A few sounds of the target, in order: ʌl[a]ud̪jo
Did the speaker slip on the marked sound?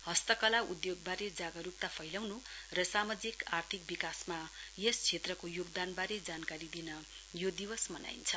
no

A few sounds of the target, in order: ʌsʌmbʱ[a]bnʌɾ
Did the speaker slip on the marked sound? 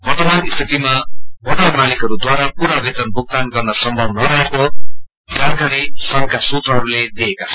yes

